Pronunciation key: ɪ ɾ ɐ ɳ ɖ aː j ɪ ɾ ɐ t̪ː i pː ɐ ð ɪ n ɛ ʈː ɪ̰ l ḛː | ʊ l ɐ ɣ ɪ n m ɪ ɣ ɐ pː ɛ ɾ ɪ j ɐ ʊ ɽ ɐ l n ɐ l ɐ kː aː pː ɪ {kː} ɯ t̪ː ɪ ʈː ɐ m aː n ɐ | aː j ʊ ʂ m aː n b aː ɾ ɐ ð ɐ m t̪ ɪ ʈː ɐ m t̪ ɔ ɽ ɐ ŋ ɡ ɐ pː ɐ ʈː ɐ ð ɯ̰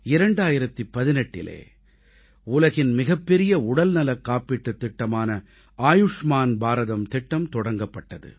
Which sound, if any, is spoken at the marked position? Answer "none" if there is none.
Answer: ʈː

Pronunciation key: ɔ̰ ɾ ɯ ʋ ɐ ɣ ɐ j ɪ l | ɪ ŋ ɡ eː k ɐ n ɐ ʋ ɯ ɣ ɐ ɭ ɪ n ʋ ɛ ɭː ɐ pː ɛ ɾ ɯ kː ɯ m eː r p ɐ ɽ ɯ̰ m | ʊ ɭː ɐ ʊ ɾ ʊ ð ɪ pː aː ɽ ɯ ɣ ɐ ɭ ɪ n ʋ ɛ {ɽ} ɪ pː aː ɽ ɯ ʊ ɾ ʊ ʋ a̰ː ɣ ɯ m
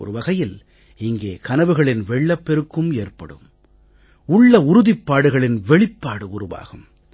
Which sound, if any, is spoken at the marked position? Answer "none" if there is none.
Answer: ɭ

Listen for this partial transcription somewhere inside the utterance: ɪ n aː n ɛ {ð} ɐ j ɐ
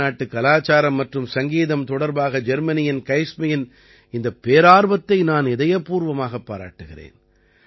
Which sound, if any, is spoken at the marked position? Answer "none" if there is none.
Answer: ð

